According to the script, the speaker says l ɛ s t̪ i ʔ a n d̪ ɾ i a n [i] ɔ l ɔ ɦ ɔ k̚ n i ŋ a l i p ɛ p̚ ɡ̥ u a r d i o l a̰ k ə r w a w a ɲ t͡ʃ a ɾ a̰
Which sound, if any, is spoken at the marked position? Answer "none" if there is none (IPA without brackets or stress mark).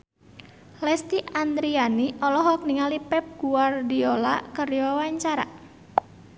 i